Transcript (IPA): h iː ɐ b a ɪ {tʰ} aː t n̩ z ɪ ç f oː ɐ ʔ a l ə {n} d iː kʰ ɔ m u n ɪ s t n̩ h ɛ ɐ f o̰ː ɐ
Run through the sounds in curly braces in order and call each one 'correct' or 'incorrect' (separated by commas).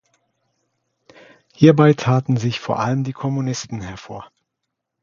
correct, incorrect